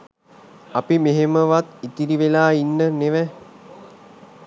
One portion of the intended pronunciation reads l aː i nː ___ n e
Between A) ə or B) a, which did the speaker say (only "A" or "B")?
A